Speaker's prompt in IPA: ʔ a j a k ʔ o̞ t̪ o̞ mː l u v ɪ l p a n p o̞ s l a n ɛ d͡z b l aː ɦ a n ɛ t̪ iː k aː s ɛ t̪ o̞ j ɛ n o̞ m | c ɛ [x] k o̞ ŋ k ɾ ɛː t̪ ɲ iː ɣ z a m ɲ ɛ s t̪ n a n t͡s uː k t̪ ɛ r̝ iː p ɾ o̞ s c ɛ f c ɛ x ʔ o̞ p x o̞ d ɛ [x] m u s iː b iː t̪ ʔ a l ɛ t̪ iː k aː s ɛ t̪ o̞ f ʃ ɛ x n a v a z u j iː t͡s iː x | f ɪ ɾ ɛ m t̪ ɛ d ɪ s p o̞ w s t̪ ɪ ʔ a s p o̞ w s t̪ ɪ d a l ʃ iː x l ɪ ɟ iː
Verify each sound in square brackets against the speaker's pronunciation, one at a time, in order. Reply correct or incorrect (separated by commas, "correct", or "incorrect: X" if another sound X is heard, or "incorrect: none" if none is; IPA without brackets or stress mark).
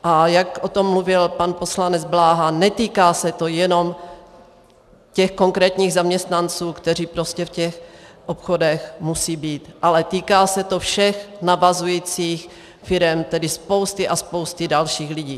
correct, correct